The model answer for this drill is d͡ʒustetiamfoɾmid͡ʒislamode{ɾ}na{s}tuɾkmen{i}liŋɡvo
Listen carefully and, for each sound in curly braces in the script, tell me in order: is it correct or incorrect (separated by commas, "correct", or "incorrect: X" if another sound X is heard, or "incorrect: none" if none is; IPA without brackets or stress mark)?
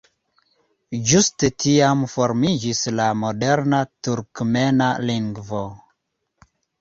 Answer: correct, incorrect: none, incorrect: a